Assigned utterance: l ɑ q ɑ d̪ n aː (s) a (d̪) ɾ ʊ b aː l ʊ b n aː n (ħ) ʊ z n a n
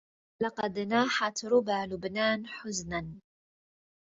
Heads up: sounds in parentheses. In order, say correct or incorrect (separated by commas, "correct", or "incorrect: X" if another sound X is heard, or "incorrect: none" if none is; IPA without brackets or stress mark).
incorrect: ħ, incorrect: t̪, correct